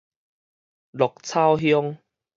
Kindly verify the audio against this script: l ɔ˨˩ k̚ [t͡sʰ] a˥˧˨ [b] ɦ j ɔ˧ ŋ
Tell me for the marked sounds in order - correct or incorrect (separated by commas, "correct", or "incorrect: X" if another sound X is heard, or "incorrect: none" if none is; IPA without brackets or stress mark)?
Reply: correct, incorrect: w